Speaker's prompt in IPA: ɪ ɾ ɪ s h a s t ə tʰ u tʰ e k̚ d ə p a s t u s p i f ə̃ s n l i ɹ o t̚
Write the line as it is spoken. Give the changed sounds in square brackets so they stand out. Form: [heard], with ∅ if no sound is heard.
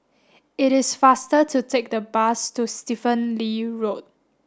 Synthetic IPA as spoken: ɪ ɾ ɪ s [f] a s t ə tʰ u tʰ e k̚ d ə [b] a s t u s [t] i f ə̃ [∅] n l i ɹ o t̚